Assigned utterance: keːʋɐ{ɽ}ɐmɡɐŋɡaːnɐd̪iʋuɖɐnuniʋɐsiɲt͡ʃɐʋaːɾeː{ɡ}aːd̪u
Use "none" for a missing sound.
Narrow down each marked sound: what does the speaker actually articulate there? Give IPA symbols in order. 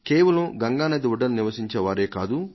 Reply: l, k

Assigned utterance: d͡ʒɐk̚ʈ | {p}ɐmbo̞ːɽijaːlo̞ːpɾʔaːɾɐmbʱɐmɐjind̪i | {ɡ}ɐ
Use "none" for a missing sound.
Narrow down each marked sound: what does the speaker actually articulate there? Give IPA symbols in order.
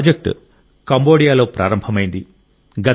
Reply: k, ɡ

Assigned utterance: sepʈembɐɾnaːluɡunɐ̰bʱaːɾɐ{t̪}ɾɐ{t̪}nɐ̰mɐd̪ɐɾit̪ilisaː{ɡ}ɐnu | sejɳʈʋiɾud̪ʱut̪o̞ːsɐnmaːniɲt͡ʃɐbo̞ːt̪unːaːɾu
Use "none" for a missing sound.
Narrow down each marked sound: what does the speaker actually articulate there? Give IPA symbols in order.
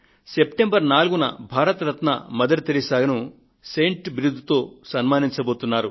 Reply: t̪, t̪, ɡ

